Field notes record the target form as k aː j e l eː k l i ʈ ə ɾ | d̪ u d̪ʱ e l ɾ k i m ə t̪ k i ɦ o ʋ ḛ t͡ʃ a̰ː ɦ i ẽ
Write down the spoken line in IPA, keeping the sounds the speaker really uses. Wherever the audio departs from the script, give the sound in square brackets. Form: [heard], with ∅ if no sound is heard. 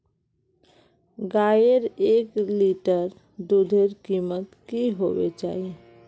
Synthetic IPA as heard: [ɡ] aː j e [ɾ] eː k l i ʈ ə ɾ | d̪ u d̪ʱ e [∅] ɾ k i m ə t̪ k i ɦ o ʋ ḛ t͡ʃ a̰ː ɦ i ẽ